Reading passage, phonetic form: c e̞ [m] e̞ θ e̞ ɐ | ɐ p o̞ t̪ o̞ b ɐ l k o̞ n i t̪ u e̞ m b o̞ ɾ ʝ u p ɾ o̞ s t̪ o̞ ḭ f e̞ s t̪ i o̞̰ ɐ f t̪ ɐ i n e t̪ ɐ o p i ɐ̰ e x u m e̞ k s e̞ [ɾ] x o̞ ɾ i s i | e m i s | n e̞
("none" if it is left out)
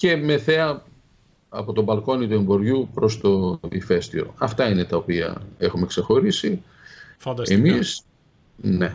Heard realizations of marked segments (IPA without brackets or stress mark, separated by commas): m, none